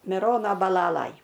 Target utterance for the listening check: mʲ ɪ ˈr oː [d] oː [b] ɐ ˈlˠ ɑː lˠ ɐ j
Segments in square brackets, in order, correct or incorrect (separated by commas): incorrect, correct